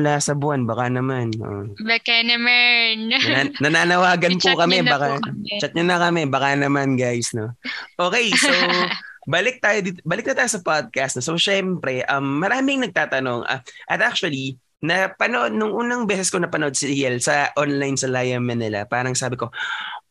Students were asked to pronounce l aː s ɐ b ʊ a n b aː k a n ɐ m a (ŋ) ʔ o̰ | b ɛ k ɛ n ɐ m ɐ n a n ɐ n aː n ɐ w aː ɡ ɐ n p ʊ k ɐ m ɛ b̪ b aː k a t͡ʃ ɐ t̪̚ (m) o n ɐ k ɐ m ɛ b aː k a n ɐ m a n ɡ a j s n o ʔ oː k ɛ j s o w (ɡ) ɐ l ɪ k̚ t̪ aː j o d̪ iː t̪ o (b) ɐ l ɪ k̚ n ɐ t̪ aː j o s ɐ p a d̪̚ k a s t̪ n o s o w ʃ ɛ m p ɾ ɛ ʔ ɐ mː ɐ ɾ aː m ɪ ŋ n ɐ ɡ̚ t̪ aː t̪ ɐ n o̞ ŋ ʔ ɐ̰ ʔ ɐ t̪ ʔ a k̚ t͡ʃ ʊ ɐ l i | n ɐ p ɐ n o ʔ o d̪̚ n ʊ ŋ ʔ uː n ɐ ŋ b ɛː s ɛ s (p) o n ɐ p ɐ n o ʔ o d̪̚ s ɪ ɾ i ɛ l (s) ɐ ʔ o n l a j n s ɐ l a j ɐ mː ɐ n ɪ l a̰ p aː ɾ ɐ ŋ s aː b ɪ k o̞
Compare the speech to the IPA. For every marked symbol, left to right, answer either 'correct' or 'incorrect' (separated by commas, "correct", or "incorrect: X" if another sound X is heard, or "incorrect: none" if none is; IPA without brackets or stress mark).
incorrect: n, incorrect: ɲ, incorrect: b, correct, incorrect: k, correct